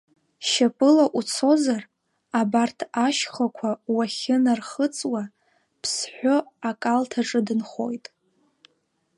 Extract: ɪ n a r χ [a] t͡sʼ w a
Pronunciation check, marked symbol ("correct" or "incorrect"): incorrect